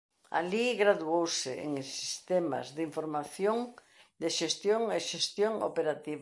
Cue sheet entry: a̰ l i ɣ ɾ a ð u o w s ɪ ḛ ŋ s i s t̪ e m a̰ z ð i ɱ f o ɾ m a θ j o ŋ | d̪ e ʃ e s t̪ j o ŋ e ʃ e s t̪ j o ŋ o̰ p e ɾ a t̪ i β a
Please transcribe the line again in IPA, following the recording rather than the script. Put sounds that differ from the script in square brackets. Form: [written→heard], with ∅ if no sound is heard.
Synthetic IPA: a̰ l i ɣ ɾ a ð u o w s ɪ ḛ ŋ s i s t̪ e m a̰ z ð i ɱ f o ɾ m a θ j o ŋ | d̪ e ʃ e s t̪ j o ŋ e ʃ e s t̪ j o ŋ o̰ p e ɾ a t̪ i β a